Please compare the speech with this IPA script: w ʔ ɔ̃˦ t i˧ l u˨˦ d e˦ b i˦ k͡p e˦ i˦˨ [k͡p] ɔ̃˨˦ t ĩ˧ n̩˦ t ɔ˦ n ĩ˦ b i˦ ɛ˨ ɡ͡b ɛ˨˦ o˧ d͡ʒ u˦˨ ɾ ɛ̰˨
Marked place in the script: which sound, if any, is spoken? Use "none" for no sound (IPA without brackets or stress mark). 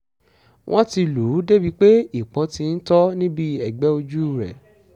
k͡p